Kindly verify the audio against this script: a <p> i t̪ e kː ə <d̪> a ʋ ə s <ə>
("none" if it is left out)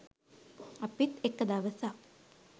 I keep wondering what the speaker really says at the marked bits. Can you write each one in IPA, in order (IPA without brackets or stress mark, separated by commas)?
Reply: p, d̪, a